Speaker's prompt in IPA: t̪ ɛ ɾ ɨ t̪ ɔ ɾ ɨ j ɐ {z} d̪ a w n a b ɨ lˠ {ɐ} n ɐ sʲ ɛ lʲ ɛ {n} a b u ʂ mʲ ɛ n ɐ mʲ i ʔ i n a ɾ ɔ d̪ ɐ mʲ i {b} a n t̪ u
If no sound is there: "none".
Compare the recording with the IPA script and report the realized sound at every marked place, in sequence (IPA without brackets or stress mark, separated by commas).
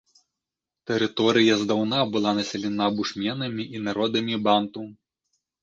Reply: z, a, n, b